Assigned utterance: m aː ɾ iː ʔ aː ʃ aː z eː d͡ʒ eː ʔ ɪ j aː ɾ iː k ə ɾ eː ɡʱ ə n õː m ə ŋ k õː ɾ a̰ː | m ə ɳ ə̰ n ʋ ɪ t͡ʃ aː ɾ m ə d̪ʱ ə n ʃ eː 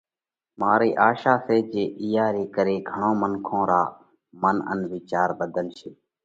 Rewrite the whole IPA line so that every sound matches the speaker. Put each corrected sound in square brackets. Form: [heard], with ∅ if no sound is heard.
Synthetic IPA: m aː ɾ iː ʔ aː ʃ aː [s] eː d͡ʒ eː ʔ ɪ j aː ɾ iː k ə ɾ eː ɡʱ ə [ɳ] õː m ə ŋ [kʰ] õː ɾ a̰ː | m ə [n] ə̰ n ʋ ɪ t͡ʃ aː ɾ [b] ə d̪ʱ ə n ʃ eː

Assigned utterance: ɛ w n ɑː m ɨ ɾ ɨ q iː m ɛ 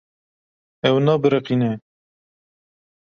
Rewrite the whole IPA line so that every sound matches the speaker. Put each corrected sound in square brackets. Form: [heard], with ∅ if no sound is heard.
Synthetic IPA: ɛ w n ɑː [b] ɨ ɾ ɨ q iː [n] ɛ

